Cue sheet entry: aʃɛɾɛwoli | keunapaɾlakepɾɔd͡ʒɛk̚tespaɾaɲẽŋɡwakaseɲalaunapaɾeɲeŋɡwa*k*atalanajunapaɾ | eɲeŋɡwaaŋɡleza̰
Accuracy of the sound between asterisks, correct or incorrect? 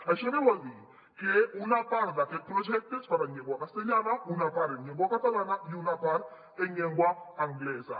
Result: correct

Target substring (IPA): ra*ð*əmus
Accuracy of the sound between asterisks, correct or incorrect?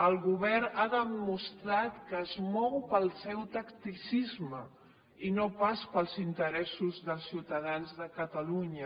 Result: correct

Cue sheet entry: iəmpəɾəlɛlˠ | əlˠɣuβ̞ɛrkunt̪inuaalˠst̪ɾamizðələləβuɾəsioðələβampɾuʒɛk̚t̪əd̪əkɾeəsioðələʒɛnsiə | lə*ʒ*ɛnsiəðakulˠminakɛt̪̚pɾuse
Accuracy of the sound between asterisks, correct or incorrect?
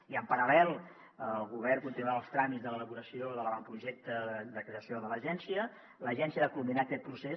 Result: correct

